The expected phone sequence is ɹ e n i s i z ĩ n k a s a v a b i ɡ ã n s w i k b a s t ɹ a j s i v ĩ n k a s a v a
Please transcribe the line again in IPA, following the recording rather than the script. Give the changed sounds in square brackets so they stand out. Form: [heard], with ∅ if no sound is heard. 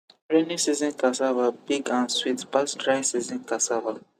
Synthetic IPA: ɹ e n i s i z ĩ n k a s a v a b i ɡ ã n s w i [t] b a s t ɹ a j s i [z] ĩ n k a s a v a